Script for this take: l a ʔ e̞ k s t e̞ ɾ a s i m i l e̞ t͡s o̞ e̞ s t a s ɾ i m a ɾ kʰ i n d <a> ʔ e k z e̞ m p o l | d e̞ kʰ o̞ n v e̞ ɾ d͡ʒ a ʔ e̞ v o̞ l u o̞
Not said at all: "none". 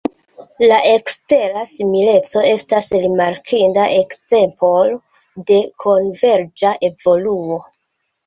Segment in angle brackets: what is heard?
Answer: a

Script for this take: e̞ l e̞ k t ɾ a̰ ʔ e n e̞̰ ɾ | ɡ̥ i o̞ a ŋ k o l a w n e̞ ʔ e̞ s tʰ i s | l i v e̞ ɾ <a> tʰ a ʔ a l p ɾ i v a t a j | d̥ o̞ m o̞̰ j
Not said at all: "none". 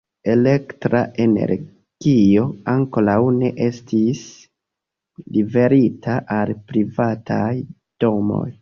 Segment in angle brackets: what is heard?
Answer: i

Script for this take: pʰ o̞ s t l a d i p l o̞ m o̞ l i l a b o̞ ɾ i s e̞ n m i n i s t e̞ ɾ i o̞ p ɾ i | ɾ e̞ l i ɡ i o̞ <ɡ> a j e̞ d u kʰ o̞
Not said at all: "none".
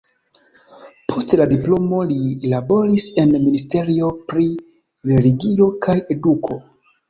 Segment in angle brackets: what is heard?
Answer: k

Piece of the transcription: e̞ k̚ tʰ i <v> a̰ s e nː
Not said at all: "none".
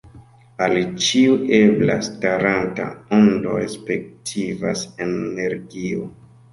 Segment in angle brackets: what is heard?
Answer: v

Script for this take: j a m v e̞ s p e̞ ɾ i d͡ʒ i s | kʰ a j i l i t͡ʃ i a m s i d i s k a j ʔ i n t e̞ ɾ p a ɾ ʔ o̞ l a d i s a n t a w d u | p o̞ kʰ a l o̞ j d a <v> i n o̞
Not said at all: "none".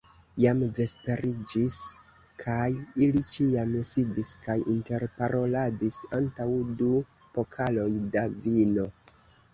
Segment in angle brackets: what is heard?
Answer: v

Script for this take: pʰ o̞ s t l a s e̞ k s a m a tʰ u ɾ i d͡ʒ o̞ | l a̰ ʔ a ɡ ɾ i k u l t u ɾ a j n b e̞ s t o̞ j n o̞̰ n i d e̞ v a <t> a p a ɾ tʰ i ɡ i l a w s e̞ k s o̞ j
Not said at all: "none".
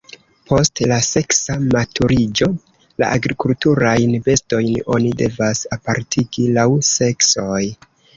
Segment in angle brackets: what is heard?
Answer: s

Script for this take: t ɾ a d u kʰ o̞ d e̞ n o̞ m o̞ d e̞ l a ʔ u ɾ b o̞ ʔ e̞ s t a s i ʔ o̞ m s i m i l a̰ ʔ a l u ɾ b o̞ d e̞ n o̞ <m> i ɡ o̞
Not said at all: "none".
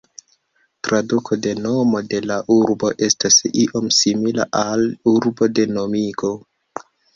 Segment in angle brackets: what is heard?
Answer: m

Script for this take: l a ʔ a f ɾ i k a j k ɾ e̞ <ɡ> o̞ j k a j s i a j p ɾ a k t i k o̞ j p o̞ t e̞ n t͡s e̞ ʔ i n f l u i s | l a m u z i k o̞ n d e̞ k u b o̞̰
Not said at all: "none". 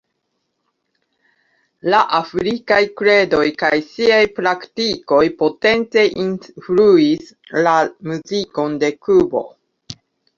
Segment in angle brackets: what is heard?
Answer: d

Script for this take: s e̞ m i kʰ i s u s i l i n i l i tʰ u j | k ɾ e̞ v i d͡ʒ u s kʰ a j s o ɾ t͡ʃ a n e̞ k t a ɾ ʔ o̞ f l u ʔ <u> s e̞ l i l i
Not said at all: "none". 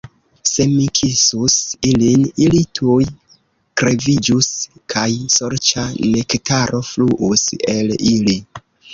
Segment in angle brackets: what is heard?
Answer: u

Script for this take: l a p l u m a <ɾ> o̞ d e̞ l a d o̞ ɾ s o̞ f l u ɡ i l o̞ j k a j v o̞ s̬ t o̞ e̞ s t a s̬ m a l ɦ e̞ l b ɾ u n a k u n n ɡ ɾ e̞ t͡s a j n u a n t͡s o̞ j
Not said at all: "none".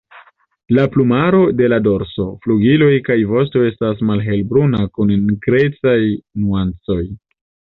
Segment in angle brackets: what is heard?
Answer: ɾ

